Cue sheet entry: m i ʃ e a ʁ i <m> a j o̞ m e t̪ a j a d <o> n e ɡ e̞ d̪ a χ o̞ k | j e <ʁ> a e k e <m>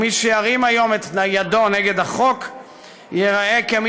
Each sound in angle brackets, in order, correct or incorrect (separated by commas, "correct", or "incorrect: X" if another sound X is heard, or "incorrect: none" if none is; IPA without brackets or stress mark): correct, correct, correct, correct